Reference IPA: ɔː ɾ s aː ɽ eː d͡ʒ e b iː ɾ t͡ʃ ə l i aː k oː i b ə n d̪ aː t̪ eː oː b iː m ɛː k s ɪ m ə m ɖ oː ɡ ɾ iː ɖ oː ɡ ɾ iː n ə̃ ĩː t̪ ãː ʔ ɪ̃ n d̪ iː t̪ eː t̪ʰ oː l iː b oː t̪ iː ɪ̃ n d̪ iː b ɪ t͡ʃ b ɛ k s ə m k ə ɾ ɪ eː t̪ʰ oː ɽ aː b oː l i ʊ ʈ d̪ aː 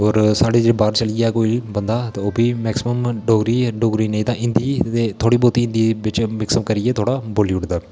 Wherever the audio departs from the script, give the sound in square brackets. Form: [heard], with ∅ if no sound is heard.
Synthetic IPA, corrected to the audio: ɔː ɾ s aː ɽ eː d͡ʒ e b [aː] ɾ t͡ʃ ə l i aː k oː i b ə n d̪ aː t̪ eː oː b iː m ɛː k s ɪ m ə m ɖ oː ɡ ɾ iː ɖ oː ɡ ɾ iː n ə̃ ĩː t̪ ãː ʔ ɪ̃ n d̪ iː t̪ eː t̪ʰ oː [ɽ] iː b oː t̪ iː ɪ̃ n d̪ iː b ɪ t͡ʃ [m] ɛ k s ə m k ə ɾ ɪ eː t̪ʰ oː ɽ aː b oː l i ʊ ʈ d̪ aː